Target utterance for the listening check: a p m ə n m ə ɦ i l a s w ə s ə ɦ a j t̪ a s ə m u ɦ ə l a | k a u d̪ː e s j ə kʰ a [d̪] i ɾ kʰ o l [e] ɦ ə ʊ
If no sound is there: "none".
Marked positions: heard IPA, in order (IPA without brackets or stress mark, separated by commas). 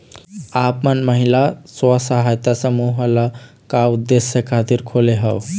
t̪, e